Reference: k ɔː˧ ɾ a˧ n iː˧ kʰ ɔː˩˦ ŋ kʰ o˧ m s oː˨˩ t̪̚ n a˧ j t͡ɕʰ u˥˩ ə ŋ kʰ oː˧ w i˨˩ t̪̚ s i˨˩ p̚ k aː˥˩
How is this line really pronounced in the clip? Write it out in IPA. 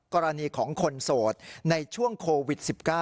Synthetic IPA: k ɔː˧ ɾ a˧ n iː˧ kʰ ɔː˩˦ ŋ kʰ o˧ n s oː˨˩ t̪̚ n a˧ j t͡ɕʰ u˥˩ ə ŋ kʰ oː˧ w i˨˩ t̪̚ s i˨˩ p̚ k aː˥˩